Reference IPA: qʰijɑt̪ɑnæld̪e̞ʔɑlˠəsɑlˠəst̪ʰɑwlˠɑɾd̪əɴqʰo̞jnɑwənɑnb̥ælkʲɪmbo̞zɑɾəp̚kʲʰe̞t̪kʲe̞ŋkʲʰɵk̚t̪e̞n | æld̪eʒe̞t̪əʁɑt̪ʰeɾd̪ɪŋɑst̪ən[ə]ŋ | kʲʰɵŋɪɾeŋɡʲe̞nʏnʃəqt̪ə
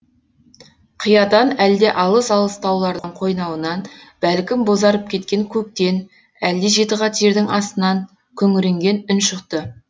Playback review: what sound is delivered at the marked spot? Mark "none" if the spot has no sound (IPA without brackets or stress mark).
ɑ